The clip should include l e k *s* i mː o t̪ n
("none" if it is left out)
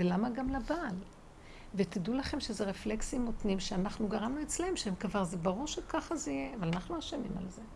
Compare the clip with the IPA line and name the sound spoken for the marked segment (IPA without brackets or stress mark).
s